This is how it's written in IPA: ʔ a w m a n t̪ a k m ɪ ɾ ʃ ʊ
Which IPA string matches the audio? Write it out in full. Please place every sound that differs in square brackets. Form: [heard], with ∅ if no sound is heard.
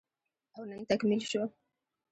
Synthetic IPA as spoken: ʔ a w [n] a n t̪ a k m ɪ [l] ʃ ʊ